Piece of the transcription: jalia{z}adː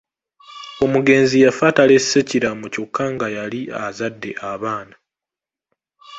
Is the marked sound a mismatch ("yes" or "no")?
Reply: no